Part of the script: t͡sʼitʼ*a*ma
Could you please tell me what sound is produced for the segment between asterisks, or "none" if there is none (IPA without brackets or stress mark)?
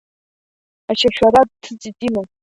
i